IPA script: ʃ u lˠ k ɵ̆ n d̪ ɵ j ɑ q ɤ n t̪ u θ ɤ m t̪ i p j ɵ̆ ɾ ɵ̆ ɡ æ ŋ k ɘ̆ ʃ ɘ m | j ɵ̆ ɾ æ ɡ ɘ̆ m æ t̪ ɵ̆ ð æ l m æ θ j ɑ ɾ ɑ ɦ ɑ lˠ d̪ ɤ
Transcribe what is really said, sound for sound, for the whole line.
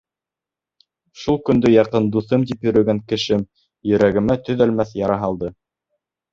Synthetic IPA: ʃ u lˠ k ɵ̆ n d̪ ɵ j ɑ q ɤ n d̪ u θ ɤ m t̪ i p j ɵ̆ ɾ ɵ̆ ɡ æ ŋ k ɘ̆ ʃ ɘ m | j ɵ̆ ɾ æ ɡ ɘ̆ m æ t̪ ɵ̆ ð æ l m æ θ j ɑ ɾ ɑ ɦ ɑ lˠ d̪ ɤ